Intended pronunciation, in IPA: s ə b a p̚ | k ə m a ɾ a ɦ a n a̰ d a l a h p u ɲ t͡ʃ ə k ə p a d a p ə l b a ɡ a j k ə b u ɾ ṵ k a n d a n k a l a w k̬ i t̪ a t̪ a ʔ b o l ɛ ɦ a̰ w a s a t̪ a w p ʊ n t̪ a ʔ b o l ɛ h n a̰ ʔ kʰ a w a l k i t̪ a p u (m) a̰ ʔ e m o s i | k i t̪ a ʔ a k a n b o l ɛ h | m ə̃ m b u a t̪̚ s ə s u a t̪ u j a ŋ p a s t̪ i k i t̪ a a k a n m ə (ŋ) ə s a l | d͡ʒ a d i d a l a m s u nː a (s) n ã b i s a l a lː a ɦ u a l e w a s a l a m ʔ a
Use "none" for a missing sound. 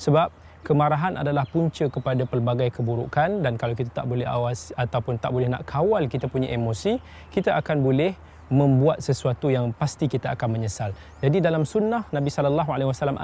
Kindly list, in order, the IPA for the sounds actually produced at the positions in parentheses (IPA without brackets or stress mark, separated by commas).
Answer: ɲ, ɲ, h